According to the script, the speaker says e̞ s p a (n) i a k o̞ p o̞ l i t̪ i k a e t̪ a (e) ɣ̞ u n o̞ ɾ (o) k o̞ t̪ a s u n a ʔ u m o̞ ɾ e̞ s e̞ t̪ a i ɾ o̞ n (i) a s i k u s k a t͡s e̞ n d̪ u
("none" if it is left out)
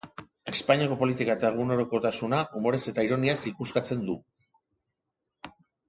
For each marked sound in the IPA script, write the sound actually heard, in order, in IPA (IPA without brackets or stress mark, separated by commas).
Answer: ɲ, e, o, i